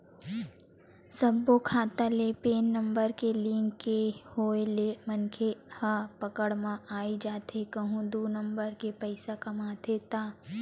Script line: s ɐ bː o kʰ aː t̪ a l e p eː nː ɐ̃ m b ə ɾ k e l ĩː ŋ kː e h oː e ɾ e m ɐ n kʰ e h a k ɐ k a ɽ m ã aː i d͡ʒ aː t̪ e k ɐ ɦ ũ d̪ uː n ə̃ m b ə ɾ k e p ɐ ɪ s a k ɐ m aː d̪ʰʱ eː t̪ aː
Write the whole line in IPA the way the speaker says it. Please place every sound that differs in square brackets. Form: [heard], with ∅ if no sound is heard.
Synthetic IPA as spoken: s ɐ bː o kʰ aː t̪ a l e p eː nː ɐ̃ m b ə ɾ k e l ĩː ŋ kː e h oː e [l] e m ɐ n kʰ e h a [p] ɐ k [ə] ɽ m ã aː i d͡ʒ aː t̪ e k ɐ ɦ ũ d̪ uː n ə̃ m b ə ɾ k e p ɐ ɪ s a k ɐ m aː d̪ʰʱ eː t̪ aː